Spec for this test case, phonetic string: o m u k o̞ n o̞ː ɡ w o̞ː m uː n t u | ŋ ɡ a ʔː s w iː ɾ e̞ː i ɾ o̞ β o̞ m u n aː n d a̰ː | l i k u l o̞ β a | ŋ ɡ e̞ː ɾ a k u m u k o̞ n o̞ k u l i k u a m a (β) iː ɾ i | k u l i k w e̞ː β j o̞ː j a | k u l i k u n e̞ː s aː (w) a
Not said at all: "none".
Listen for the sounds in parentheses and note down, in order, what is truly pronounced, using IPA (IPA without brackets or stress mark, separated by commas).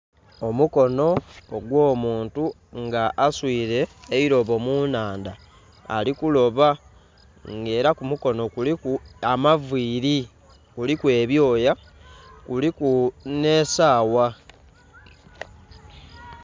v, w